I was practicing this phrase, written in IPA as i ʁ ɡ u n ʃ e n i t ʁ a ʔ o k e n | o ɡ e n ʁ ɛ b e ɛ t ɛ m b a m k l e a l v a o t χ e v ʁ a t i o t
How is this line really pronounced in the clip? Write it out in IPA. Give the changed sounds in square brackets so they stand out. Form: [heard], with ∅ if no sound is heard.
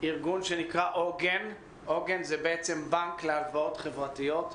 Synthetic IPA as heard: i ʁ ɡ u n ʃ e n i [k] ʁ a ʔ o [ɡ] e n | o ɡ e n [z] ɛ b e ɛ [t͡s] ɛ m b a [ŋ] k l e a l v a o t χ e v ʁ a t i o t